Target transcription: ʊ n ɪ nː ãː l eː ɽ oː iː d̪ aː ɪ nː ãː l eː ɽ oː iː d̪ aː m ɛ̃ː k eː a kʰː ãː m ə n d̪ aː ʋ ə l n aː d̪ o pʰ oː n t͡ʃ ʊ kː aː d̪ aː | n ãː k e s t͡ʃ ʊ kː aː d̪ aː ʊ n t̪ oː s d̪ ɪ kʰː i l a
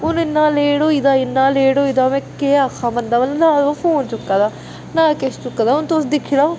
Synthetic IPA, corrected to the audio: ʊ n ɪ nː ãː l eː ɽ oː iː d̪ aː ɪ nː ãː l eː ɽ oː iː d̪ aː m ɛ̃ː k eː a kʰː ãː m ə n d̪ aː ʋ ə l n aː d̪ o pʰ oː n t͡ʃ ʊ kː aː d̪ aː | n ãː k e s t͡ʃ ʊ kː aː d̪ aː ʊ n t̪ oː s d̪ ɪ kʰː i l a

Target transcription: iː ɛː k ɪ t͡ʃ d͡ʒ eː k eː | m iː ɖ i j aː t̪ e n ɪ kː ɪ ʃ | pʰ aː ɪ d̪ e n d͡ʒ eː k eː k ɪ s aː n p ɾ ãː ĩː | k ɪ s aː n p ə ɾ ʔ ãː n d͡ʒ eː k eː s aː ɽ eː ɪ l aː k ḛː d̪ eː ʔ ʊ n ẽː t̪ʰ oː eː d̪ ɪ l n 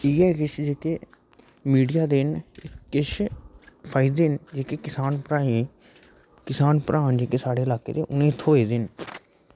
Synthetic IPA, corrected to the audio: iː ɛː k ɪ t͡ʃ d͡ʒ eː k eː | m iː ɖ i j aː d̪ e n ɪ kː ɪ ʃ | pʰ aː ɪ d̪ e n d͡ʒ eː k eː k ɪ s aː n p ɾ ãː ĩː | k ɪ s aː n p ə ɾ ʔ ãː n d͡ʒ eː k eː s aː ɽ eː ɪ l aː k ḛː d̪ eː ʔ ʊ n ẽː t̪ʰ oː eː d̪ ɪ n

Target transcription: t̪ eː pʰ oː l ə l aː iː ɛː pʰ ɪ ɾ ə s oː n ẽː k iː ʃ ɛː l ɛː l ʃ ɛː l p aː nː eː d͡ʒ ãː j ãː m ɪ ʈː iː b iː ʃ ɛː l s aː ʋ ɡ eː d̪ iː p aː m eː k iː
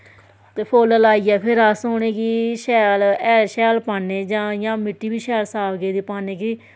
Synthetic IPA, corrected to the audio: t̪ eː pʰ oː l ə l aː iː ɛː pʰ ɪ ɾ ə s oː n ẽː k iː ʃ ɛː l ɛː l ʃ ɛː l p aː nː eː d͡ʒ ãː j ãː m ɪ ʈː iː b iː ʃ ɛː l s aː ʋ ɡ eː d̪ iː p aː n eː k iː

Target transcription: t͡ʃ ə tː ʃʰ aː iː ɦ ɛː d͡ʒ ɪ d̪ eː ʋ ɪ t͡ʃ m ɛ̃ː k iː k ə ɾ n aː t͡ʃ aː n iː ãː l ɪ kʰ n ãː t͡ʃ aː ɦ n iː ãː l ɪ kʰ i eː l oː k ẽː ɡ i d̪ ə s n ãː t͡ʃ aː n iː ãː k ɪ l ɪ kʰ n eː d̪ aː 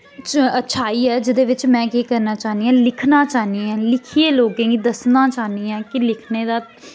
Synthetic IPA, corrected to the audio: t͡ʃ ə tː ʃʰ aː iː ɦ ɛː d͡ʒ ɪ d̪ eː ʋ ɪ t͡ʃ m ɛ̃ː k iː k ə ɾ n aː t͡ʃ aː n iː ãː l ɪ kʰ n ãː t͡ʃ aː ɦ n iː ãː l ɪ kʰ i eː l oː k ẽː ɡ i d̪ ə s n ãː t͡ʃ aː n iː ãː k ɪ l ɪ kʰ n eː d̪ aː

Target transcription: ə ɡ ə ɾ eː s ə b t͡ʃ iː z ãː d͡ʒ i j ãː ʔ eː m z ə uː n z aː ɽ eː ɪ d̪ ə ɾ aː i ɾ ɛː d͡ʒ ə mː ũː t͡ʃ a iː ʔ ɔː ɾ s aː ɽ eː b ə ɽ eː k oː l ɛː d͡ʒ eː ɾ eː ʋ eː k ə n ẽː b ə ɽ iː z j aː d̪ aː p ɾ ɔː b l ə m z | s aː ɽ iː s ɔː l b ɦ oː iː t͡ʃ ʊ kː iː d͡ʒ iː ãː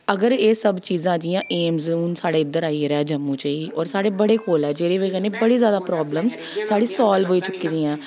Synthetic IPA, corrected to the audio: ə ɡ ə ɾ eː s ə b t͡ʃ iː z ãː d͡ʒ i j ãː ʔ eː m z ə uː n s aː ɽ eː ɪ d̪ ə ɾ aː i ɾ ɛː d͡ʒ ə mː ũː t͡ʃ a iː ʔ ɔː ɾ s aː ɽ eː b ə ɽ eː k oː l ɛː d͡ʒ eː ɾ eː ʋ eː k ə n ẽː b ə ɽ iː z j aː d̪ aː p ɾ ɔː b l ə m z | s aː ɽ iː s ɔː l b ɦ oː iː t͡ʃ ʊ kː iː d͡ʒ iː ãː

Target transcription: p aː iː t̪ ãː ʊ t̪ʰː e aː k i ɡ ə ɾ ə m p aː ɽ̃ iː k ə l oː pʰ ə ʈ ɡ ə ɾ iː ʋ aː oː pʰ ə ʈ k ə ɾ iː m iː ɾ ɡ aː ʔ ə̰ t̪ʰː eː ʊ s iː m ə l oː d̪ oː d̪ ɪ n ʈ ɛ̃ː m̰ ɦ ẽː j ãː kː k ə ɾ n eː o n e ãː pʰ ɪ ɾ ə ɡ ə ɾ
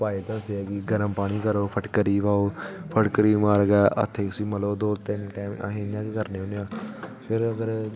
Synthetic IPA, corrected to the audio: p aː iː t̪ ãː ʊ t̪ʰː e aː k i ɡ ə ɾ ə m p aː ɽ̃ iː k ə ɾ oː pʰ ə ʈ k ə ɾ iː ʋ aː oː pʰ ə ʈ k ə ɾ iː m aː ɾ ɡ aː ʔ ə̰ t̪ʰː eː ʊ s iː m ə l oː d̪ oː t̪ ɪ n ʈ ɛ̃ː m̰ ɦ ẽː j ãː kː k ə ɾ n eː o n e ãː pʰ ɪ ɾ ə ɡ ə ɾ

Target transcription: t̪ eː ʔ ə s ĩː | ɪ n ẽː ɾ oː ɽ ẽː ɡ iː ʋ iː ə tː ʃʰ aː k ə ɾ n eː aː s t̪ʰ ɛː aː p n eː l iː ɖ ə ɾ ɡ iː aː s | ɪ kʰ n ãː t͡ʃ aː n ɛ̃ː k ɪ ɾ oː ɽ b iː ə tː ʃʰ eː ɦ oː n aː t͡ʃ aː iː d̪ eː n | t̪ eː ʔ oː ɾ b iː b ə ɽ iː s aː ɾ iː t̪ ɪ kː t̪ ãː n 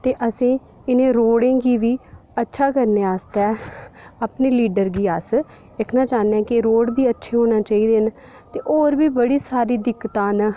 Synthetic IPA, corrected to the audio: t̪ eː ʔ ə s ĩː | ɪ n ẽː ɾ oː ɽ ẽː ɡ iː ʋ iː ə tː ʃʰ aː k ə ɾ n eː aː s t̪ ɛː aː p n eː l iː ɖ ə ɾ ɡ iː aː s | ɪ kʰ n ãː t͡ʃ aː n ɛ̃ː k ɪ ɾ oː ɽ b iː ə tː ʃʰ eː ɦ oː n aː t͡ʃ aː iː d̪ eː n | t̪ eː ʔ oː ɾ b iː b ə ɽ iː s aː ɾ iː d̪ ɪ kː t̪ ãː n

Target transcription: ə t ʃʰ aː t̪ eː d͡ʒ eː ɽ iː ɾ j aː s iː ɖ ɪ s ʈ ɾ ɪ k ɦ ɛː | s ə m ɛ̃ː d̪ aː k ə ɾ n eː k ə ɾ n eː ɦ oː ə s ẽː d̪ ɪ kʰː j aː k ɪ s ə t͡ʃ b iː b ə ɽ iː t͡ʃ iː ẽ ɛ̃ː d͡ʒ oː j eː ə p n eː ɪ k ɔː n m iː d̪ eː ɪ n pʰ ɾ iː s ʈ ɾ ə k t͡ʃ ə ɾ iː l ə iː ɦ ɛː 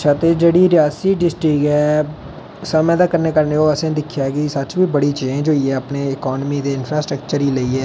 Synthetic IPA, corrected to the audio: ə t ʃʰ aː t̪ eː d͡ʒ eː ɽ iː ɾ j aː s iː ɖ ɪ s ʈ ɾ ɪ k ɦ ɛː | s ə m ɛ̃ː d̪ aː k ə ɾ n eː k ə ɾ n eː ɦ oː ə s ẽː d̪ ɪ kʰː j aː k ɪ s ə t͡ʃ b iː b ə ɽ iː t͡ʃ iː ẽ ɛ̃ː d͡ʒ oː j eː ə p n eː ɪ k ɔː n m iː d̪ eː ɪ n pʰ ɾ aː s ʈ ɾ ə k t͡ʃ ə ɾ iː l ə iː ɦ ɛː

